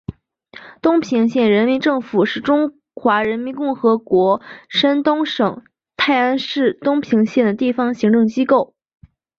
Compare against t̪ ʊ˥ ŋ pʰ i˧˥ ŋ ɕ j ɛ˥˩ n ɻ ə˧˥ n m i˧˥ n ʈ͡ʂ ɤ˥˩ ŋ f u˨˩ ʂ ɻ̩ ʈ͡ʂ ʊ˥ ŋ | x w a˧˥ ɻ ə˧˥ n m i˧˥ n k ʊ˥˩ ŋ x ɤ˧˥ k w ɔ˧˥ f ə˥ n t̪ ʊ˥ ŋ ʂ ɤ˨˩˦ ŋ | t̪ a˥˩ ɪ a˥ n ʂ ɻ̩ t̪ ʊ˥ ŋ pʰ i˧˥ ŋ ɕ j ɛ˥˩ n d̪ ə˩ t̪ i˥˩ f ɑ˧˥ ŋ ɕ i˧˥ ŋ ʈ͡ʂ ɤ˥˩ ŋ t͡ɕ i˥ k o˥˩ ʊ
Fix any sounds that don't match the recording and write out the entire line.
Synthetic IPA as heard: t̪ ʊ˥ ŋ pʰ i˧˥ ŋ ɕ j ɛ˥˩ n ɻ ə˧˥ n m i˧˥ n ʈ͡ʂ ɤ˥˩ ŋ f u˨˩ ʂ ɻ̩ ʈ͡ʂ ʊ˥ ŋ | x w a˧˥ ɻ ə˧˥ n m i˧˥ n k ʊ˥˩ ŋ x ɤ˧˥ k w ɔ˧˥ ʂ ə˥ n t̪ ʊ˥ ŋ ʂ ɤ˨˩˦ ŋ | t̪ʰ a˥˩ ɪ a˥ n ʂ ɻ̩ t̪ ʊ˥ ŋ pʰ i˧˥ ŋ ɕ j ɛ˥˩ n d̪ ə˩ t̪ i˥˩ f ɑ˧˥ ŋ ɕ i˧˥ ŋ ʈ͡ʂ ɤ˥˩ ŋ t͡ɕ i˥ k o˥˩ ʊ